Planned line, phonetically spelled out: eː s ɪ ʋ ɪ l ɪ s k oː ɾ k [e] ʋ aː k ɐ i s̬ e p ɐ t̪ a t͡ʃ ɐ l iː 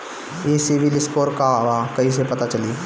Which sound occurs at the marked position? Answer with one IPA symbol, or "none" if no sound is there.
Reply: a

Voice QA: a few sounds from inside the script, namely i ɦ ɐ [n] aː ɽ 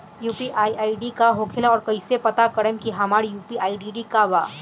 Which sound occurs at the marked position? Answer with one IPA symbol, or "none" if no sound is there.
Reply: m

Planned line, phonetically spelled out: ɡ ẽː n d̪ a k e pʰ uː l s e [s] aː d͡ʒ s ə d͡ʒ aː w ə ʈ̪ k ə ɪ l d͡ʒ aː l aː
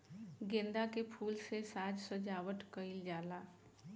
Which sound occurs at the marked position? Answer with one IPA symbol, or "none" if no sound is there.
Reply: s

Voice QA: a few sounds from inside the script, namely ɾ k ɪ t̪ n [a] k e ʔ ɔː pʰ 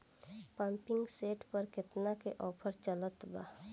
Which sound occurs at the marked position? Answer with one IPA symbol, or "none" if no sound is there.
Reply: a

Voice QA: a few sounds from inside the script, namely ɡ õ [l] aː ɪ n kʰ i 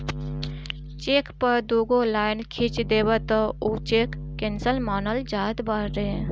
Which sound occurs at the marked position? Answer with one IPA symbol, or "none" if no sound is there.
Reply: l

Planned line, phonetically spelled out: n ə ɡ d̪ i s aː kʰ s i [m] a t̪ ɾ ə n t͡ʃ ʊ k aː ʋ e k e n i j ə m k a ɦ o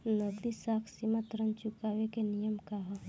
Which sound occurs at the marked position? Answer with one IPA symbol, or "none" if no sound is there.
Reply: m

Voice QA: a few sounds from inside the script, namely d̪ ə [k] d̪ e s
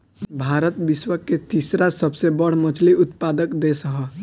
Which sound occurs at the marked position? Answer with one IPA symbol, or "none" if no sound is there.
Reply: k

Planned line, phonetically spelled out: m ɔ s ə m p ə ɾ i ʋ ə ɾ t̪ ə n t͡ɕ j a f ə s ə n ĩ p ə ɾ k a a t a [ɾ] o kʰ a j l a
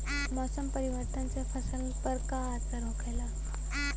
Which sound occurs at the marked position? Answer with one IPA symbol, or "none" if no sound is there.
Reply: ɾ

